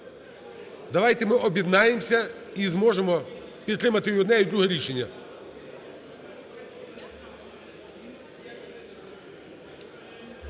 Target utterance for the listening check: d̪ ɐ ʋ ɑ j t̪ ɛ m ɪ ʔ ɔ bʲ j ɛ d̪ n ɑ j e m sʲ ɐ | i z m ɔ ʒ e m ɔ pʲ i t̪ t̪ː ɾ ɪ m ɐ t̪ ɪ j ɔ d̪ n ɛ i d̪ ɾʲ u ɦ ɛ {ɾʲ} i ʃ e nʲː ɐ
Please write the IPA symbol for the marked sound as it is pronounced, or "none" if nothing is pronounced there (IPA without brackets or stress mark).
ɾʲ